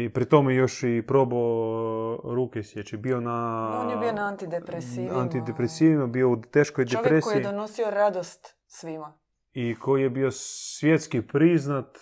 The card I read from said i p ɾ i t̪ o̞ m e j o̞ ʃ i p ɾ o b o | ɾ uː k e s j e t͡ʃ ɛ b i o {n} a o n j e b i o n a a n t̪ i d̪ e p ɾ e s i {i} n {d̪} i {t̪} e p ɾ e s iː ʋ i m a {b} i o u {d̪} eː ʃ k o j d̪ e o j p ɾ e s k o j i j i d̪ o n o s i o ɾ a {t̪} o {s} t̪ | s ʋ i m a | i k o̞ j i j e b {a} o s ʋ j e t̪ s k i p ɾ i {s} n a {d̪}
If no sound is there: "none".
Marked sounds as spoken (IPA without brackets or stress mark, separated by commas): n, a, t̪, d̪, b, t̪, d̪, s, i, z, t̪